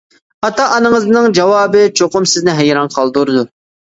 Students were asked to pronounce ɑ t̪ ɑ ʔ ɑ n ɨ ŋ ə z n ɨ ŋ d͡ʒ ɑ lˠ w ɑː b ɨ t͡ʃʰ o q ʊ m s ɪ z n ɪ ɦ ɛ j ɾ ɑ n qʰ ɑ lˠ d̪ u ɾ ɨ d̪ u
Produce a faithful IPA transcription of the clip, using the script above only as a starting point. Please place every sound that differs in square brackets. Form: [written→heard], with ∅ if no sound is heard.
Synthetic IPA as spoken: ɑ t̪ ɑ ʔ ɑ n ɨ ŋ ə z n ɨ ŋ d͡ʒ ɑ [lˠ→∅] w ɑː b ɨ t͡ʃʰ o q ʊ m s ɪ z n ɪ ɦ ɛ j ɾ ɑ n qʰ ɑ lˠ d̪ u ɾ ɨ d̪ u